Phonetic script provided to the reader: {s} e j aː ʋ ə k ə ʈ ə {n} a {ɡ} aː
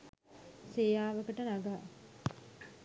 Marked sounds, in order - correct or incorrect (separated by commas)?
correct, correct, correct